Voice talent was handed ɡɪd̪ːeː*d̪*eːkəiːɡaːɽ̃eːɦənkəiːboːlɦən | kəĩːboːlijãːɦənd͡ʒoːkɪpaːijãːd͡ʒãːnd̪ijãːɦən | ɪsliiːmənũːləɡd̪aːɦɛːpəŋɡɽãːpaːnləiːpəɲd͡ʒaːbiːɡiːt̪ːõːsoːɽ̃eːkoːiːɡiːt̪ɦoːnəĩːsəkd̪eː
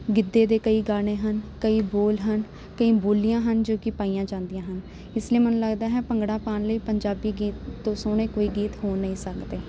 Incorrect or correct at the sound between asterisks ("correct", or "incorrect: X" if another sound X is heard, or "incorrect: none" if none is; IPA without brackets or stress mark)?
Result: correct